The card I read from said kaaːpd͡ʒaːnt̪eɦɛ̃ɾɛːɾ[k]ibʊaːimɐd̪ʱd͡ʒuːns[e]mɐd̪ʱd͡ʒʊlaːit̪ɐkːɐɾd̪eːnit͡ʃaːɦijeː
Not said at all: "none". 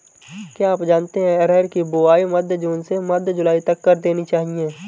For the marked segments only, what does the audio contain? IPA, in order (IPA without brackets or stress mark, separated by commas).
k, e